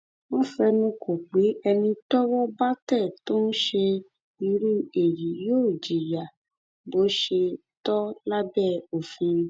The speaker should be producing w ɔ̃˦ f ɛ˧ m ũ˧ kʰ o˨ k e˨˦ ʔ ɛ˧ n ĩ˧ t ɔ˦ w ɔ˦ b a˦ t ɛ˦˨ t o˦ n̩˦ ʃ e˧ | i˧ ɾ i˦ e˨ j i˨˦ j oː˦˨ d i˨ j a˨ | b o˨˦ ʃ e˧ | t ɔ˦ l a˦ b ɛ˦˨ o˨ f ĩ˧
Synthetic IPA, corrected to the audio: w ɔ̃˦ f ɛ˧ n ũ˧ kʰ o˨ k͡p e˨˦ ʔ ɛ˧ n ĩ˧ t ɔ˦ w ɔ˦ b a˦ t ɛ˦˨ t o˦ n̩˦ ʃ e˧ | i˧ ɾ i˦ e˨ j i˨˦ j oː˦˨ d͡ʒ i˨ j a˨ | b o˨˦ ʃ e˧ | t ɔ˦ l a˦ b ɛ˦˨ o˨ f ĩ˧

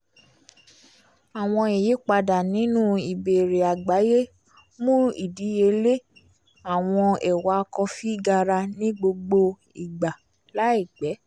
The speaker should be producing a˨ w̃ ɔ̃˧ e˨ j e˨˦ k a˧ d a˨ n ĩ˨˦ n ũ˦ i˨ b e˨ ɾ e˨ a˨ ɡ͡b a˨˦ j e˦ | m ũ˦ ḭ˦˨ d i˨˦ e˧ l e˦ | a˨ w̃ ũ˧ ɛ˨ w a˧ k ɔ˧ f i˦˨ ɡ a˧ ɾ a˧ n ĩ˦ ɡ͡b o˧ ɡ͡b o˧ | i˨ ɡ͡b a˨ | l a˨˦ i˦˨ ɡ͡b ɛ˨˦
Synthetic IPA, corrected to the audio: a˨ w̃ ɔ̃˧ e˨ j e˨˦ k͡p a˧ d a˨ n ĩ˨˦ n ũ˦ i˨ b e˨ ɾ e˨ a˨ ɡ͡b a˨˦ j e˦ | m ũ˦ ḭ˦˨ d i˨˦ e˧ l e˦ | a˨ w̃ ɔ̃˧ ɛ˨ w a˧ k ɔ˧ f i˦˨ ɡ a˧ ɾ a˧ n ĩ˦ ɡ͡b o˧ ɡ͡b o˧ | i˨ ɡ͡b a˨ | l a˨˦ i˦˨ ɡ͡b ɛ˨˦

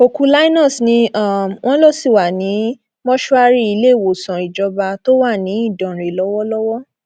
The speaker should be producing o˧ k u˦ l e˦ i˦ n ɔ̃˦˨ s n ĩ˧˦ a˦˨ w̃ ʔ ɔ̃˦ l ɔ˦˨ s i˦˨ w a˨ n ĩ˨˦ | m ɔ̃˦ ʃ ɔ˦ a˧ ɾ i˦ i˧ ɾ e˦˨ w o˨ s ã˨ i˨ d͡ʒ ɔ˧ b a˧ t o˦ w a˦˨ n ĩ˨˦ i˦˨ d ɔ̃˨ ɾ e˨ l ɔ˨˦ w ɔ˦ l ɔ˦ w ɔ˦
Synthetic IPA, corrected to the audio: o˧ k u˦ l a˦ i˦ n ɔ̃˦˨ s n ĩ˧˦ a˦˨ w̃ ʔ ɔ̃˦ l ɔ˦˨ s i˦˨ w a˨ n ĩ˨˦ | m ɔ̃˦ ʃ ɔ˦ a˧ ɾ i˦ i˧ l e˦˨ w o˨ s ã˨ i˨ d͡ʒ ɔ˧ b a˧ t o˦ w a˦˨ n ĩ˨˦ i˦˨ d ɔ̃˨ ɾ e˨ l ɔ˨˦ w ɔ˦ l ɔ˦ w ɔ˦

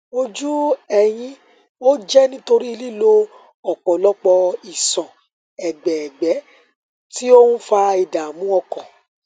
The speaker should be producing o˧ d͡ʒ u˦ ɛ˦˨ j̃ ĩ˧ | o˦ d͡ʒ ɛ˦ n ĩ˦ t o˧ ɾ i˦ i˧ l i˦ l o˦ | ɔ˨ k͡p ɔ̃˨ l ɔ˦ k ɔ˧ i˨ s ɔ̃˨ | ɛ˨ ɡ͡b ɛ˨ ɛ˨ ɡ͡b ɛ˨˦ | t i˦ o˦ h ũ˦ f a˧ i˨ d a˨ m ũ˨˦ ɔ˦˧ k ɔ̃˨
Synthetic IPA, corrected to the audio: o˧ d͡ʒ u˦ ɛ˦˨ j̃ ĩ˧ | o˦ d͡ʒ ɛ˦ n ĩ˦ t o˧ ɾ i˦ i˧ l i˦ l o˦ | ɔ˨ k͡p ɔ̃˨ l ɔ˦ k͡p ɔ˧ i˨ s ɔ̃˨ | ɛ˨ ɡ͡b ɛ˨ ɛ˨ ɡ͡b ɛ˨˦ | t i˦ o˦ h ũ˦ f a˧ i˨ d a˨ m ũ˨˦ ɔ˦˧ k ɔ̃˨

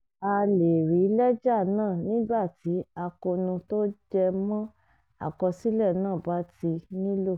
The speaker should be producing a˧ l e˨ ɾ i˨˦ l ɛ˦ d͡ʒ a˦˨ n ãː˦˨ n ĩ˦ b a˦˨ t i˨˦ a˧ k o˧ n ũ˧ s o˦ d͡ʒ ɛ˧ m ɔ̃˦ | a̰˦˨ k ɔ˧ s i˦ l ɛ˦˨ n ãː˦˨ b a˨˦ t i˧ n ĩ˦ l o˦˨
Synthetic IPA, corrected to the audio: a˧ l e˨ ɾ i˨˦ l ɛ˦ d͡ʒ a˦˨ n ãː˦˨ n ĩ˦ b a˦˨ t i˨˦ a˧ k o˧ n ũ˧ t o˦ d͡ʒ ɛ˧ m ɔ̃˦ | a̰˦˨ k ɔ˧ s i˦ l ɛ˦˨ n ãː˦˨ b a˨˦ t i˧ n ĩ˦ l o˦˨

